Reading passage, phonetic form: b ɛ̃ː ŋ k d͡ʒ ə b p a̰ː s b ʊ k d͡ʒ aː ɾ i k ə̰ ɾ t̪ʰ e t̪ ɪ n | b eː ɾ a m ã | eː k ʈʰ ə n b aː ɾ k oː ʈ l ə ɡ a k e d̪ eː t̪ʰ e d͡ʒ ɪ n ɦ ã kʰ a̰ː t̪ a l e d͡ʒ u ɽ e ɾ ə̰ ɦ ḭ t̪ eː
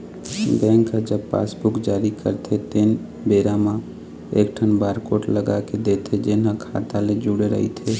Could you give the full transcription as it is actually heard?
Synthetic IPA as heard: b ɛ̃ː ŋ k d͡ʒ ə b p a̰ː s b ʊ k d͡ʒ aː ɾ i k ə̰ ɾ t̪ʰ e t̪ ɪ n | b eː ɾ a m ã | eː k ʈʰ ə n b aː ɾ k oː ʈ l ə ɡ a k e d̪ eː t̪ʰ e d͡ʒ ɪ n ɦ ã kʰ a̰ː t̪ a l e d͡ʒ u ɽ e ɾ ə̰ ɦ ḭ t̪ʰ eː